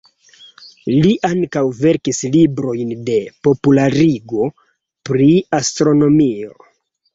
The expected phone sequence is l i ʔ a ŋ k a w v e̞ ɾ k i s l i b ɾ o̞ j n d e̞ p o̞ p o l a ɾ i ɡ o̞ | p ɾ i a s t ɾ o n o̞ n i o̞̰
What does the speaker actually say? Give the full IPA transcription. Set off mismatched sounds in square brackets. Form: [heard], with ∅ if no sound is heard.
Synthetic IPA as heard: l i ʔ a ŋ k a w v e̞ ɾ k i s l i b ɾ o̞ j n d e̞ p o̞ p [u] l a ɾ i ɡ o̞ | p ɾ i a s t ɾ o n o̞ [m] i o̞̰